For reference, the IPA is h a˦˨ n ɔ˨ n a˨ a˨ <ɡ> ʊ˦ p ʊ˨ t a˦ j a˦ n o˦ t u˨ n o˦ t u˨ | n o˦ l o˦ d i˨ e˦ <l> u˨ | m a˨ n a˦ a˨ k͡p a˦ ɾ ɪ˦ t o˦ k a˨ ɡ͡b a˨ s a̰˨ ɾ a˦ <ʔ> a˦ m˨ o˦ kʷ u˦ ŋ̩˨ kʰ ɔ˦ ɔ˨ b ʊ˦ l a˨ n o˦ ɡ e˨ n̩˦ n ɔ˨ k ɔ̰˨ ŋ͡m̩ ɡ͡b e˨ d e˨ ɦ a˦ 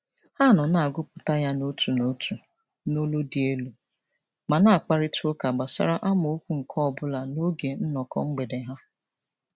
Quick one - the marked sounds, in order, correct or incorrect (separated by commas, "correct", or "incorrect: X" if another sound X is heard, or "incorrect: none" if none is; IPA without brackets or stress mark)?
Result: correct, correct, correct